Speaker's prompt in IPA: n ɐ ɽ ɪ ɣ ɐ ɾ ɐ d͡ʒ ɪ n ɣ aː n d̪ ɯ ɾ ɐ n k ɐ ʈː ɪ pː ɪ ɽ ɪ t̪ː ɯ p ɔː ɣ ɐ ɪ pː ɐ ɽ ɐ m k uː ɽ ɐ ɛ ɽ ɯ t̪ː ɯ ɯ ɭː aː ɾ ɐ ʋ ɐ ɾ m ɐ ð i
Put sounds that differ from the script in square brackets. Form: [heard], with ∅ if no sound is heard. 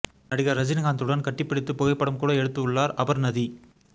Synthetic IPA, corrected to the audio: n ɐ ɽ ɪ ɣ ɐ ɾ ɐ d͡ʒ ɪ n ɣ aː n d̪ ɯ [ɽ] ɐ n k ɐ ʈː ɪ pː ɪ ɽ ɪ t̪ː ɯ p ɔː ɣ ɐ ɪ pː ɐ ɽ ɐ m k uː ɽ ɐ ɛ ɽ ɯ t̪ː ɯ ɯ ɭː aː ɾ ɐ ʋ ɐ ɾ [n] ɐ ð i